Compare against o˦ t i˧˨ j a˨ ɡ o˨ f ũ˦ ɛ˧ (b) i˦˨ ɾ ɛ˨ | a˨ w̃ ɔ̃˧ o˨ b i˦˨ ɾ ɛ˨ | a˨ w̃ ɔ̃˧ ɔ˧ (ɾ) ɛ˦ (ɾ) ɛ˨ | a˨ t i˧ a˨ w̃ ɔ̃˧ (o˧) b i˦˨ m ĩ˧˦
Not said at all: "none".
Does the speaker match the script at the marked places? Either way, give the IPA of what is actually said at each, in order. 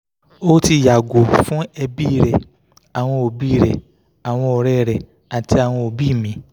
b, ɾ, ɾ, o˧

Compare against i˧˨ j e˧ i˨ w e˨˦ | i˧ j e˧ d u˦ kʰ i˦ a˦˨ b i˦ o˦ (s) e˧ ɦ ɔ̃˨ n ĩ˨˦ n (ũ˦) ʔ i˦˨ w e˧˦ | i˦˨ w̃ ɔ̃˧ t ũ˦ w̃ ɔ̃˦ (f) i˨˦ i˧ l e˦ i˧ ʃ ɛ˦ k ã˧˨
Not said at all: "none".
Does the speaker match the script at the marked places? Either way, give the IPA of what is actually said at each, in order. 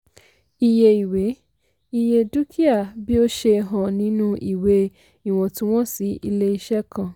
ʃ, ũ˦, s

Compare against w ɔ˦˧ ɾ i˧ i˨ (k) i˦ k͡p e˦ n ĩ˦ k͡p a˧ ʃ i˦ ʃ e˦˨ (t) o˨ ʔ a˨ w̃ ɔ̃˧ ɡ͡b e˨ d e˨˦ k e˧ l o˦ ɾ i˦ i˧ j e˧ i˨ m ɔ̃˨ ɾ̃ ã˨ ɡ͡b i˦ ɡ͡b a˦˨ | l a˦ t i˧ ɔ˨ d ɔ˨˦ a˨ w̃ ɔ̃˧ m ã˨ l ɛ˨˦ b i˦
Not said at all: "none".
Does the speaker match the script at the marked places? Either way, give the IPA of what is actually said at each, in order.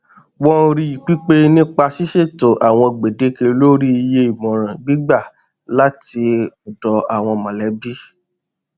k͡p, t

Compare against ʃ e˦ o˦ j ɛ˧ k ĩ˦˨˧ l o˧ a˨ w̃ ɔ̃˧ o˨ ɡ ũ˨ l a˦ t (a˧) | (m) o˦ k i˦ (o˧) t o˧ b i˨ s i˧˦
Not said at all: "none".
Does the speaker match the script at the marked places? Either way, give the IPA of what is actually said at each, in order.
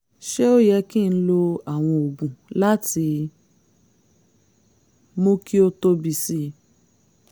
i˧, m, o˧

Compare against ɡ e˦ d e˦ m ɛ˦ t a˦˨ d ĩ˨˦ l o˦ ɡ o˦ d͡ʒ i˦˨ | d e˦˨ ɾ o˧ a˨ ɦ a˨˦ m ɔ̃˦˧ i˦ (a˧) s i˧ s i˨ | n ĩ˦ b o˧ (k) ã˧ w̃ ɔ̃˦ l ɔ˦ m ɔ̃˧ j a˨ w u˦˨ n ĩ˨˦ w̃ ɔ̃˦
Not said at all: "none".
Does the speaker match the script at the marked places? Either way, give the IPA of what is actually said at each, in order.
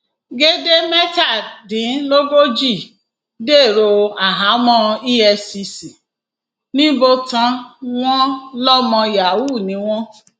ɛ˧, t

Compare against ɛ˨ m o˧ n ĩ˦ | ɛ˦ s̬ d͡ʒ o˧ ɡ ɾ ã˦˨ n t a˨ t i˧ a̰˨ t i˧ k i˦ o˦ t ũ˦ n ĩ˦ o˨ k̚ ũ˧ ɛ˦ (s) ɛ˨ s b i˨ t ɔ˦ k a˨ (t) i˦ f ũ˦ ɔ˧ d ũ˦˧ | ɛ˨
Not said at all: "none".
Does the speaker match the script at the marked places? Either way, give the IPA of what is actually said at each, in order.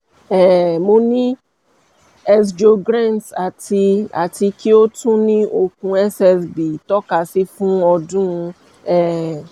s, s

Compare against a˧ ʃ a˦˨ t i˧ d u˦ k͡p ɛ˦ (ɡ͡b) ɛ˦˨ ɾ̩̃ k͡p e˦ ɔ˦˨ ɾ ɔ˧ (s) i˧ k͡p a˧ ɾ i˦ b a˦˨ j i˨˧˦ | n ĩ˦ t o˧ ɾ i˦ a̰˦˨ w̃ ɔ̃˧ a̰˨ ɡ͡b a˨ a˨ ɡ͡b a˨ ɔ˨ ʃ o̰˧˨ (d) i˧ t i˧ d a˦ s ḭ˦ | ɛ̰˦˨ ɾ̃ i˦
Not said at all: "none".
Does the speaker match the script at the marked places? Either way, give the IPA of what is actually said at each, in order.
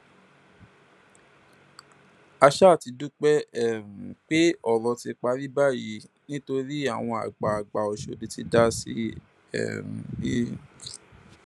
none, t, d

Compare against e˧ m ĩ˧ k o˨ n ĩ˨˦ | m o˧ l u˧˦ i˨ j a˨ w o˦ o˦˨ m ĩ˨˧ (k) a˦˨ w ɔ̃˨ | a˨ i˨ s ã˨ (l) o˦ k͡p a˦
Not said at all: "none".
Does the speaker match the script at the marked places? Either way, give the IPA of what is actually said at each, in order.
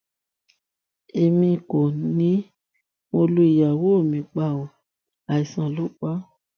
k͡p, l

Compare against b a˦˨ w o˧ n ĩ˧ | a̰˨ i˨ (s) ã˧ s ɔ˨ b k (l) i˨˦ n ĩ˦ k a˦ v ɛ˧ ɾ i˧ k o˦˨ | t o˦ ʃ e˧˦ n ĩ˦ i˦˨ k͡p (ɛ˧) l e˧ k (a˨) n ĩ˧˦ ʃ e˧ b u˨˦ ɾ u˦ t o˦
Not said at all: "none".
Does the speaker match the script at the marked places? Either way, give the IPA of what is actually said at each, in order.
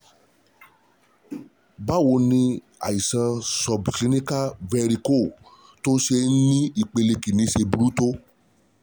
s, l, e˧, i˨

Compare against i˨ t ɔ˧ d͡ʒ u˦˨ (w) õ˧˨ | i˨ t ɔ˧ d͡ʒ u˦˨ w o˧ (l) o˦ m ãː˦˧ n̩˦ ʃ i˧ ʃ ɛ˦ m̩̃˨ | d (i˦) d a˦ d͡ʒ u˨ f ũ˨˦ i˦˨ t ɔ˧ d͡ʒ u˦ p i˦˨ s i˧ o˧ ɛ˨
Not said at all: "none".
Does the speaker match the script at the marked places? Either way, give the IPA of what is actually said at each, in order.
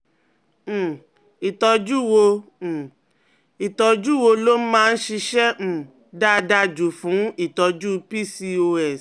w, l, a˦

